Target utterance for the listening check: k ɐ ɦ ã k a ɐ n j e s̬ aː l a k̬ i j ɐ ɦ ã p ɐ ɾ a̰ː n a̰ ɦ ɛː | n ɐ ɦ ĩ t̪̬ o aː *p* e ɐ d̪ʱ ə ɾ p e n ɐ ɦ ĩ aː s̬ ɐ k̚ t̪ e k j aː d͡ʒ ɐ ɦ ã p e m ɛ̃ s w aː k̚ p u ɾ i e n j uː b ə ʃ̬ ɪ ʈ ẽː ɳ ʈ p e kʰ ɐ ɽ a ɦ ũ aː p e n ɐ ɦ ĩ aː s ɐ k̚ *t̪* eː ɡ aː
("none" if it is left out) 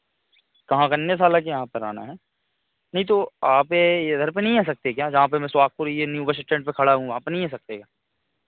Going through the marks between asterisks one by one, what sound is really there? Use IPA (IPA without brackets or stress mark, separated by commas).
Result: p, t̪